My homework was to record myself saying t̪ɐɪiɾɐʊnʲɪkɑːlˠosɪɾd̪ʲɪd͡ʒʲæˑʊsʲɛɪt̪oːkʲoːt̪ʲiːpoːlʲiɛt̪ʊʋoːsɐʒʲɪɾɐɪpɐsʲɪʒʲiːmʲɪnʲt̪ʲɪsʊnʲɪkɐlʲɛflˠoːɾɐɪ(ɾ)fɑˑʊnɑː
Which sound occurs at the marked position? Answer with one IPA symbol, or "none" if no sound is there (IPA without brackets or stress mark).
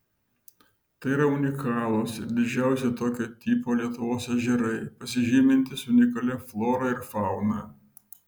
ɾ